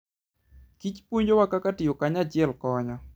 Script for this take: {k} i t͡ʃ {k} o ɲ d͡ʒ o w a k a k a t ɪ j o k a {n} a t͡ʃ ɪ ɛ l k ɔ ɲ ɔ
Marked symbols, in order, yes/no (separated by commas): yes, no, no